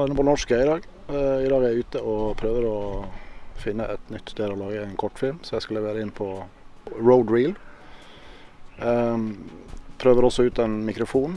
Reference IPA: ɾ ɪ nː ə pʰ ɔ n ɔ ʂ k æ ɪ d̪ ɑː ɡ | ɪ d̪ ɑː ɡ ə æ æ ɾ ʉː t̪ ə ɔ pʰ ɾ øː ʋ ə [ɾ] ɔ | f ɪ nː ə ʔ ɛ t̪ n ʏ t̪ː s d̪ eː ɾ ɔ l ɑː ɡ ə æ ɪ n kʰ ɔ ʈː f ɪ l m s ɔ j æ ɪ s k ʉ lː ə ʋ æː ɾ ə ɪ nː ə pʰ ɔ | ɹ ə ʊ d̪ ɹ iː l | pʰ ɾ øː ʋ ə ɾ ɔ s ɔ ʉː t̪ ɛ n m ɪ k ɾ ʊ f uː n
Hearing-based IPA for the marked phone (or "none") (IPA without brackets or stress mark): ɾ